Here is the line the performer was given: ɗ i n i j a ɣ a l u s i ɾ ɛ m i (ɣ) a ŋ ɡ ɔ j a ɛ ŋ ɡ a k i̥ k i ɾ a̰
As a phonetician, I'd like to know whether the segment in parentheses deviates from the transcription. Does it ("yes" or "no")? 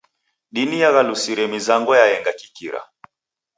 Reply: yes